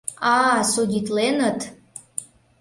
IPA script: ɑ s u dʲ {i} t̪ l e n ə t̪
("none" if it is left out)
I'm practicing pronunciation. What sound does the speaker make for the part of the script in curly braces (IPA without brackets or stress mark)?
i